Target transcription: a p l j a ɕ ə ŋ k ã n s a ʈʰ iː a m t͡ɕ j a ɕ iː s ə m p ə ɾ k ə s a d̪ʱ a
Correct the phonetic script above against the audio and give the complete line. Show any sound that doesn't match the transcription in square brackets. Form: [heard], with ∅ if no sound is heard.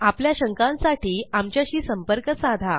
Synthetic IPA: a p l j a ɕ ə ŋ k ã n s a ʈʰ iː a m t͡ɕ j a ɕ iː s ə m p ə ɾ k ə s a d̪ʱ a